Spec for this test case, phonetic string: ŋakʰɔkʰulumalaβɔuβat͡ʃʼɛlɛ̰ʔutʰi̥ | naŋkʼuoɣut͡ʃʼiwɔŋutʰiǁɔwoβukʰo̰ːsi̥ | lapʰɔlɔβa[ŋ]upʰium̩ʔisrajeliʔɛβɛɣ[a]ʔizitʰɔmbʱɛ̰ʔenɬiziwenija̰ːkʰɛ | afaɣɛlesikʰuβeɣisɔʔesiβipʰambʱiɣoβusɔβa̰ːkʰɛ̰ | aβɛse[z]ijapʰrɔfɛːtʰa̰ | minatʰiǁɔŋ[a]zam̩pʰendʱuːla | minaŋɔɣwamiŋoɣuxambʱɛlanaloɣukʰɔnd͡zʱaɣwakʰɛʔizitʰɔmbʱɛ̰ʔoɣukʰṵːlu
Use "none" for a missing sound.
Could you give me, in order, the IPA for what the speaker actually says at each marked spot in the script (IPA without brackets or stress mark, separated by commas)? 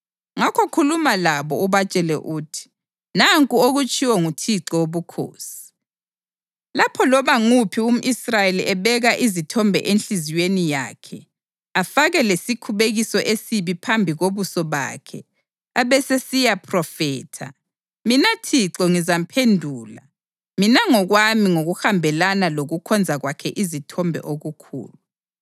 ŋ, a, s, i